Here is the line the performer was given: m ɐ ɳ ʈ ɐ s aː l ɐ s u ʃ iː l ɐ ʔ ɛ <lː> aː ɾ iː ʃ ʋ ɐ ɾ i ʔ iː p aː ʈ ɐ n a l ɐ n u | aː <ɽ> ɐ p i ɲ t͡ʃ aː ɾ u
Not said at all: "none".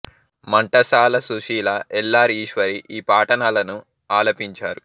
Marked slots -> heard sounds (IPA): lː, l

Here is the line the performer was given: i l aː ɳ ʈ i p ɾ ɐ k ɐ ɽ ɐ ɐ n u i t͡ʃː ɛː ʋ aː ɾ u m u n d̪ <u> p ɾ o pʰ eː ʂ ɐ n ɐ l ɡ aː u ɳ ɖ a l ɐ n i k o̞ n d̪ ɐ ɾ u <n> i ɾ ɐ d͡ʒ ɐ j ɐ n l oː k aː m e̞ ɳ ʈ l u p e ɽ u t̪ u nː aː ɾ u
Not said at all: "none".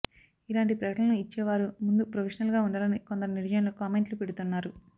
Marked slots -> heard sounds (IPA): u, n

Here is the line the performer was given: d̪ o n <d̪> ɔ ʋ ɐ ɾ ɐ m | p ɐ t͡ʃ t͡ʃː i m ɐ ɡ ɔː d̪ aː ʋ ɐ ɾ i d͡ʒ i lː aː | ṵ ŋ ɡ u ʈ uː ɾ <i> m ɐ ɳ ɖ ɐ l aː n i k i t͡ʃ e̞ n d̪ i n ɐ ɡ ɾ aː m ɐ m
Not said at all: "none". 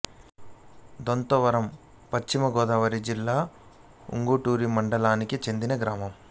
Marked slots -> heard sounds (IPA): t̪, i

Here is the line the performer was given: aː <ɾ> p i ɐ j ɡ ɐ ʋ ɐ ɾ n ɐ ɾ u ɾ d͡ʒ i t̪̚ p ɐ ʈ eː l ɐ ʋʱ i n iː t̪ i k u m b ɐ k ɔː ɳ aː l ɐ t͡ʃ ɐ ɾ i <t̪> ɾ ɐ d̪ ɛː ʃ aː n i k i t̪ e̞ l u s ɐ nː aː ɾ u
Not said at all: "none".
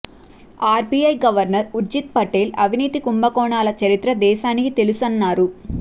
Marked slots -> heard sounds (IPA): ɾ, t̪

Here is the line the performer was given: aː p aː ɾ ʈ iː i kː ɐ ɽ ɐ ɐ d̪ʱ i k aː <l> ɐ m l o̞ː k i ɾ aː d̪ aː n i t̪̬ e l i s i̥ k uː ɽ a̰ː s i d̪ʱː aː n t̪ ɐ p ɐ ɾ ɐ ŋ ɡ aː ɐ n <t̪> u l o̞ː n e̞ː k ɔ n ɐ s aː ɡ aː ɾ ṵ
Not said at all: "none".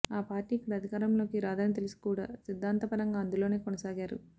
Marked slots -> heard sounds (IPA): ɾ, d̪

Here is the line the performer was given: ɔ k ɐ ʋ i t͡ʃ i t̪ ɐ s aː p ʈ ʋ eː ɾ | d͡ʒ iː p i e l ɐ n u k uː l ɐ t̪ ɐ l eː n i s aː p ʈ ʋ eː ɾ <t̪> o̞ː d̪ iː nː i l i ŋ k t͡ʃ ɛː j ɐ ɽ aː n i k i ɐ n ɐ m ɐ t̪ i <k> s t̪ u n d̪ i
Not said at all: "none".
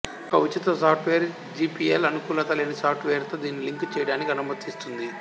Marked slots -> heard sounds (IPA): t̪, none

